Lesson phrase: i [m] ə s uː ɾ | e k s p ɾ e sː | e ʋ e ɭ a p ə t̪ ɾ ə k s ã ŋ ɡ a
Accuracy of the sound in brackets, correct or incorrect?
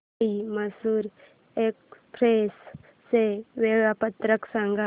correct